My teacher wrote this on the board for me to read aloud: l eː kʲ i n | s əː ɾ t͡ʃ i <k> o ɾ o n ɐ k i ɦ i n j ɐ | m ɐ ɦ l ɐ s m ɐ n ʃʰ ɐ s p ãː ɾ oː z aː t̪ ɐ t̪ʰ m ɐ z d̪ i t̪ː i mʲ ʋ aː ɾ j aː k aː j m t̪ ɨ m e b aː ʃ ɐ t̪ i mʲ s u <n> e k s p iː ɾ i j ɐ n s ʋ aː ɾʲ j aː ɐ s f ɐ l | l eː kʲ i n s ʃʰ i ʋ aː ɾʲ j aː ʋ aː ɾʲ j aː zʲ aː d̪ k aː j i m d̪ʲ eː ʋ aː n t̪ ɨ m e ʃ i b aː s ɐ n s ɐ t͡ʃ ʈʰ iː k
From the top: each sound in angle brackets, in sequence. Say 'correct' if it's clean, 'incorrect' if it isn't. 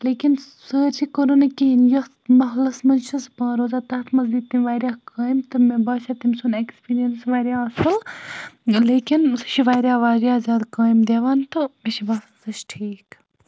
correct, correct

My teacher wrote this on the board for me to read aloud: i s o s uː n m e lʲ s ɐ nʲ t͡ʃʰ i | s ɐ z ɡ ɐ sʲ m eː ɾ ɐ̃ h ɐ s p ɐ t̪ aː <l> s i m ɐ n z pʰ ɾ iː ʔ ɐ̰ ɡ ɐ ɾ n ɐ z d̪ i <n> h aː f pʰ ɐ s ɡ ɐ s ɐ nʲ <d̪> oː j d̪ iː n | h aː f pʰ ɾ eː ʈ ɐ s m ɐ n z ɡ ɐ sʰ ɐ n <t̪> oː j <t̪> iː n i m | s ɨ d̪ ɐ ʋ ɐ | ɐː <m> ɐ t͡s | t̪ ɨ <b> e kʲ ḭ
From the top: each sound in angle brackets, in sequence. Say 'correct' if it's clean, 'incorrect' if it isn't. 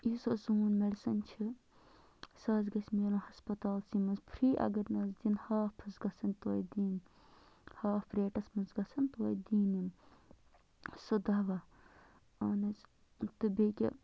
correct, correct, incorrect: t̪, correct, incorrect: d̪, incorrect: n, correct

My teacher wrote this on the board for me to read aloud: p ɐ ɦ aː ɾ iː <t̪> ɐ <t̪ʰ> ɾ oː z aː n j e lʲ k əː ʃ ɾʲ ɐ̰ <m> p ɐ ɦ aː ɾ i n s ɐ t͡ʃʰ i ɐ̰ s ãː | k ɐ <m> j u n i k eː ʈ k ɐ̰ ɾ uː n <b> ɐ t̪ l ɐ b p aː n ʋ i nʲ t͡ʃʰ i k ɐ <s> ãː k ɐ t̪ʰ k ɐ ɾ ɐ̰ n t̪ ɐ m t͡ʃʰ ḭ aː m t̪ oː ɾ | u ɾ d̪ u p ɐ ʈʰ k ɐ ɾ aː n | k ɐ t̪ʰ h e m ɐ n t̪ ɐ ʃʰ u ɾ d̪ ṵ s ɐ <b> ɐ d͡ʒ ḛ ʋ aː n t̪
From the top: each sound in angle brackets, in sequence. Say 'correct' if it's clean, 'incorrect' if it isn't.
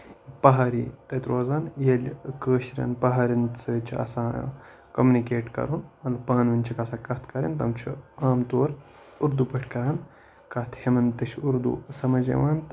correct, incorrect: t̪, incorrect: n, correct, incorrect: m, correct, incorrect: m

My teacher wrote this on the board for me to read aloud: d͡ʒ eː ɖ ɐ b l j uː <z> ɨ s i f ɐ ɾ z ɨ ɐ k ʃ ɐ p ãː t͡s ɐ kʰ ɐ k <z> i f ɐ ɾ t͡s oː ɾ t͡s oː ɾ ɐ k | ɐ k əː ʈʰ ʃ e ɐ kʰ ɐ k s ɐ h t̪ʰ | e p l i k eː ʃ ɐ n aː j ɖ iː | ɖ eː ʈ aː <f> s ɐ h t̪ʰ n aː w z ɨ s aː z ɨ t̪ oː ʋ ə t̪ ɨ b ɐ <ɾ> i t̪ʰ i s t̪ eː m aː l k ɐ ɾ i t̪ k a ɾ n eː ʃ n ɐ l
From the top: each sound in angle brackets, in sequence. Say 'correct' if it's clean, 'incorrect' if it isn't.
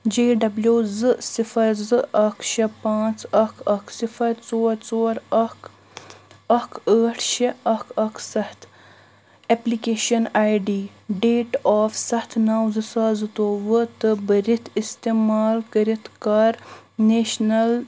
correct, incorrect: s, correct, correct

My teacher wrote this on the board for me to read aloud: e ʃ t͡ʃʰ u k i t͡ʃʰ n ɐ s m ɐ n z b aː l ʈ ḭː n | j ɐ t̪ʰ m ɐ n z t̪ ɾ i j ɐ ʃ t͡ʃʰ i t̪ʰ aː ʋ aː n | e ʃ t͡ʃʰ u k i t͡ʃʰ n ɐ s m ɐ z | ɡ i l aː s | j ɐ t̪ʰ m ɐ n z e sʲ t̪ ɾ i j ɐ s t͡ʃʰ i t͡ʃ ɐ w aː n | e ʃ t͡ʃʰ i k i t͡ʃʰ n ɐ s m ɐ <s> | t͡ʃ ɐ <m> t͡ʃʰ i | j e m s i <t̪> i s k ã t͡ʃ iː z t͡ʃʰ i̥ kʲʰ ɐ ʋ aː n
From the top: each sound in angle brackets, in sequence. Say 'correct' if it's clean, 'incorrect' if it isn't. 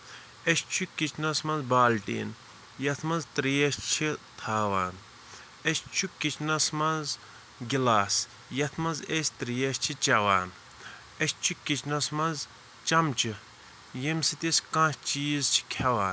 incorrect: z, correct, correct

